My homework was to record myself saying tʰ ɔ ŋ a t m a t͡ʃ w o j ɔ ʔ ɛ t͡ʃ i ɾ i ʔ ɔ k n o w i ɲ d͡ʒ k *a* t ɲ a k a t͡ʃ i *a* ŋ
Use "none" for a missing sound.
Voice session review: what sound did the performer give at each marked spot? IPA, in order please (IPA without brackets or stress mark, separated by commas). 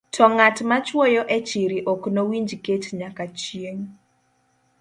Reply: e, e